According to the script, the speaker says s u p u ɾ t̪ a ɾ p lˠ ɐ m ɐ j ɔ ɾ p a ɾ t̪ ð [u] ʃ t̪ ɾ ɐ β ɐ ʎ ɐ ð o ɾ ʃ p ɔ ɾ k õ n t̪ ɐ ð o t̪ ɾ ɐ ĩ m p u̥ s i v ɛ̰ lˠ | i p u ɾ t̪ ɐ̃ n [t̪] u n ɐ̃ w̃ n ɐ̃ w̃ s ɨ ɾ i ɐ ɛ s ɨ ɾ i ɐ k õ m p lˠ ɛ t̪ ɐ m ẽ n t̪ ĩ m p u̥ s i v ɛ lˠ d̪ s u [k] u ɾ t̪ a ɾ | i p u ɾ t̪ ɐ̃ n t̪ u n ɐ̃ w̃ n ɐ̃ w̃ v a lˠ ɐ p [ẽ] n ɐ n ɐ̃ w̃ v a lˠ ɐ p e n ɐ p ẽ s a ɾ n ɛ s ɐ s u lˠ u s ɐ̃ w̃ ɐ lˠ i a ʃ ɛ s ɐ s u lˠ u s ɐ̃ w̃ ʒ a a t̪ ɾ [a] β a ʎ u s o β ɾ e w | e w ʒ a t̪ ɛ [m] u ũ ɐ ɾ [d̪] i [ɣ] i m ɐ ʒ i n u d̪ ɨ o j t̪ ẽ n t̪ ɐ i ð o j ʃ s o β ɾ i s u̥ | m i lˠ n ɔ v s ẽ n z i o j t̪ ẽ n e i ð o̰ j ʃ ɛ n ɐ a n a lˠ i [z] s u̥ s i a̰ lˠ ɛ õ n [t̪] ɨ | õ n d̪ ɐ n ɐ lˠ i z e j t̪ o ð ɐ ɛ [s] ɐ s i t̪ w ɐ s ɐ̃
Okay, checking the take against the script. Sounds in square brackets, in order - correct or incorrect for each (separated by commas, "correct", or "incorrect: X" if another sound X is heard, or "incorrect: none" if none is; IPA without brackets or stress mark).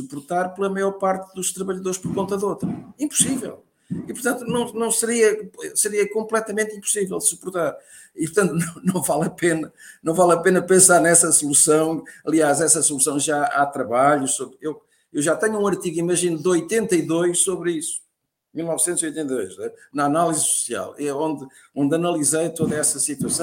correct, correct, incorrect: p, incorrect: e, incorrect: ɐ, incorrect: ɲ, incorrect: t̪, correct, correct, incorrect: d̪, correct